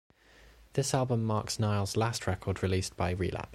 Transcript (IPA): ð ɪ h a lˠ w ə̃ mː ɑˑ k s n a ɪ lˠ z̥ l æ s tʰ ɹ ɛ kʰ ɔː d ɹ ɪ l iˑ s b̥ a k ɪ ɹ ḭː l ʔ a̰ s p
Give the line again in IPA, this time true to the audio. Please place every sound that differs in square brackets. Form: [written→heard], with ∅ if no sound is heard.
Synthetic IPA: ð ɪ [h→s] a lˠ [w→b] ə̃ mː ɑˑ k s n a ɪ lˠ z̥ l [æ→a] s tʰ ɹ ɛ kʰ ɔː d ɹ ɪ l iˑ s b̥ a [k→∅] ɪ ɹ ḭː l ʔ a̰ [s→∅] p